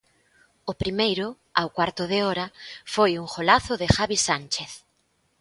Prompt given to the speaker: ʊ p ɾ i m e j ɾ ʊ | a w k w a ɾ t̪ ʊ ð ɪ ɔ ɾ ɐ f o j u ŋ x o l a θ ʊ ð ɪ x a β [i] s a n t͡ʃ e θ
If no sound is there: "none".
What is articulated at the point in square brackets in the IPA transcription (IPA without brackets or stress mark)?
i